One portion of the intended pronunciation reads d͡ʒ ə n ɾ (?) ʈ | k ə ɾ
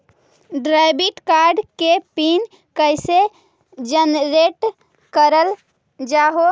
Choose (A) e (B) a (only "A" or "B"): A